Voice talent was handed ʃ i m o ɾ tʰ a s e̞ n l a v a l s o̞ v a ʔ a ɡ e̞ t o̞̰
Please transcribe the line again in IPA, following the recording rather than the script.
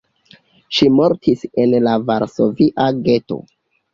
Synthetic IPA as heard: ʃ i m o ɾ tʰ i s e̞ n l a v a ɾ s o̞ v i ʔ a ɡ e̞ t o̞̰